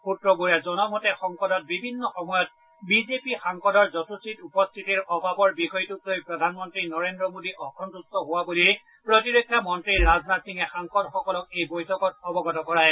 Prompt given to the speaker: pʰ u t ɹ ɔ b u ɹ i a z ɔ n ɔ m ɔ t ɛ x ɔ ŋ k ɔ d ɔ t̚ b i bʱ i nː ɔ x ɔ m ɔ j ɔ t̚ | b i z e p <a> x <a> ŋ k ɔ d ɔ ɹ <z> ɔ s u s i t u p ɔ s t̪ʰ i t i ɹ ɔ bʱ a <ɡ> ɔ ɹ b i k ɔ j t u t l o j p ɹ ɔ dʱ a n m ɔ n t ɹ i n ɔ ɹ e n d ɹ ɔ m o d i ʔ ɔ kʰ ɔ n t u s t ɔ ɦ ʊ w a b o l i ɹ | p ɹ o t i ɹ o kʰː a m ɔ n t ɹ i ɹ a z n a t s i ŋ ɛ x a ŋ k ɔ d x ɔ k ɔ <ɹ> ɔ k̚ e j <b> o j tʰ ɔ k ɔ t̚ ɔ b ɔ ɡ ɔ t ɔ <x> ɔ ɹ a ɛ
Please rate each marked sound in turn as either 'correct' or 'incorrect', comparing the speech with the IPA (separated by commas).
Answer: incorrect, correct, correct, incorrect, incorrect, correct, incorrect